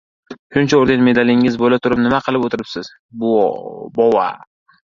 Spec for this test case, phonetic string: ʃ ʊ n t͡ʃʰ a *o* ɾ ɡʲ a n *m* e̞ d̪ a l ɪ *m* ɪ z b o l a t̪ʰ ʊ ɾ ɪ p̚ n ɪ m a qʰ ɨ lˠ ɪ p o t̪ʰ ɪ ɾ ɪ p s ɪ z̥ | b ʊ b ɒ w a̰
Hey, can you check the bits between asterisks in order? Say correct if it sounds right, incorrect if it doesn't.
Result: correct, correct, incorrect: ŋ

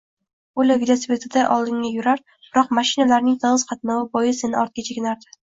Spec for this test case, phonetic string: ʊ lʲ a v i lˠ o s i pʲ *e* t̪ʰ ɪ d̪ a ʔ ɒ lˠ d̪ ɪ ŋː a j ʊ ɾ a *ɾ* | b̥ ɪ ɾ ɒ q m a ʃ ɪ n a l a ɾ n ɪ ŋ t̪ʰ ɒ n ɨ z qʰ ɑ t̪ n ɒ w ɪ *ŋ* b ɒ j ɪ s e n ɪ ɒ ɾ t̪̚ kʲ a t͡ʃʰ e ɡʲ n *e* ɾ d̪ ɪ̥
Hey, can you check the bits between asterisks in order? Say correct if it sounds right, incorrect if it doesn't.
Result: correct, correct, incorrect: none, incorrect: a

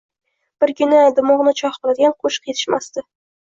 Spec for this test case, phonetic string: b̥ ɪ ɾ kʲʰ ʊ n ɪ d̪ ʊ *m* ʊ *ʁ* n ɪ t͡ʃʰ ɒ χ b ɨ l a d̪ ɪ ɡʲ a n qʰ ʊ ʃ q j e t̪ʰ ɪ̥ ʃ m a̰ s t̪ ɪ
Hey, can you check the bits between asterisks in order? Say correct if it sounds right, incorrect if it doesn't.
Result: correct, correct

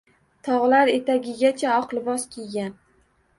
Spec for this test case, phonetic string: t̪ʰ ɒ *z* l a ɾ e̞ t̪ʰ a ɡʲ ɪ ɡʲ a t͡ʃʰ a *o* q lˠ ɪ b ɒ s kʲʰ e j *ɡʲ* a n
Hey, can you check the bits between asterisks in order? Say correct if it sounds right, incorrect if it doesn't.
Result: incorrect: ʁ, incorrect: ɒ, correct

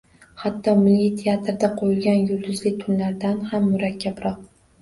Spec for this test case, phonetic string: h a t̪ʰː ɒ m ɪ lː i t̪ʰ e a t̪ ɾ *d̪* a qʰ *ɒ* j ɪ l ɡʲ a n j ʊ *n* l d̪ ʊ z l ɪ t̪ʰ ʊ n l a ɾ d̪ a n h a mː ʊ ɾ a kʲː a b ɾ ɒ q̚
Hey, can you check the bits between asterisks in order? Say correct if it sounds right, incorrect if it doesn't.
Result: correct, incorrect: o, incorrect: none

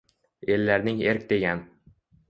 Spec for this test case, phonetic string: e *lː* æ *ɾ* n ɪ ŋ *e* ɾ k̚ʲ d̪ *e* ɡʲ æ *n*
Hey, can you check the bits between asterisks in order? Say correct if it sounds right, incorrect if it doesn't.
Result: correct, correct, correct, correct, correct

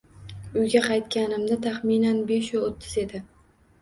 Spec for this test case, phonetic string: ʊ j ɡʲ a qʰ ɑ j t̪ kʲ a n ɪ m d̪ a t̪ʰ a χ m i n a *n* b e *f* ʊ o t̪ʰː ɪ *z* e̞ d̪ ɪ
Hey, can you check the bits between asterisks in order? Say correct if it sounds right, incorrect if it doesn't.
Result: correct, incorrect: ʃ, correct

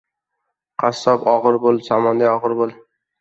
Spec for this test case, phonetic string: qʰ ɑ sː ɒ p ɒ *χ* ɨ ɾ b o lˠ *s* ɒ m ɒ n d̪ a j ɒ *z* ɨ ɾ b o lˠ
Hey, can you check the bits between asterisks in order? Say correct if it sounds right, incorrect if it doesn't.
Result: incorrect: ʁ, correct, incorrect: ʁ

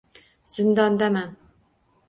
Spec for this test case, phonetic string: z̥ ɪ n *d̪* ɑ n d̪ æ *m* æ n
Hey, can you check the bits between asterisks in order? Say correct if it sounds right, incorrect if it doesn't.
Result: correct, correct

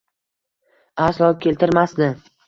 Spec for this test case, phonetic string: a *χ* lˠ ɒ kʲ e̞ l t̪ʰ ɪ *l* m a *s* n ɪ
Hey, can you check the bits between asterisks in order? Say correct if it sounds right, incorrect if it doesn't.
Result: incorrect: s, incorrect: ɾ, correct

